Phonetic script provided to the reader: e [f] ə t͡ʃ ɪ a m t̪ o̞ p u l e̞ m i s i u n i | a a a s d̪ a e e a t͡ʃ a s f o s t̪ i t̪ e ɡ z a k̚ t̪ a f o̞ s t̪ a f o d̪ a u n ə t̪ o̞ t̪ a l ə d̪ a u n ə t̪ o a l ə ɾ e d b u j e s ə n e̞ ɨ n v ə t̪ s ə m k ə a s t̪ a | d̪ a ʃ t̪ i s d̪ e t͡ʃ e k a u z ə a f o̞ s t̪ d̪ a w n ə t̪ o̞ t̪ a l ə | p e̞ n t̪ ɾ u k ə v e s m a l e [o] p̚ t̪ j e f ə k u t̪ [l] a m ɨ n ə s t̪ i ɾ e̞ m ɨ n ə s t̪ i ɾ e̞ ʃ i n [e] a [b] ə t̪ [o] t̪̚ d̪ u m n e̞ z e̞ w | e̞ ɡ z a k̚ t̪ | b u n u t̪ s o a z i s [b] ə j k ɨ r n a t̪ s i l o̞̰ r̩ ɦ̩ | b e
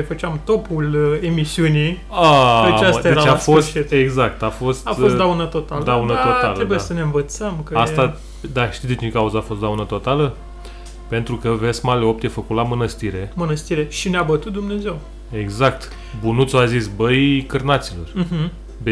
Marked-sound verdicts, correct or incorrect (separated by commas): correct, correct, correct, correct, correct, incorrect, correct